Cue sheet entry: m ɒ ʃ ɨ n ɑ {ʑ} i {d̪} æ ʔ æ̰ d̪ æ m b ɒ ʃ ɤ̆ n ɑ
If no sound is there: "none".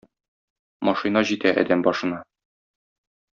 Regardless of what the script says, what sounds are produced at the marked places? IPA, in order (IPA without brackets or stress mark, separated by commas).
ʑ, t̪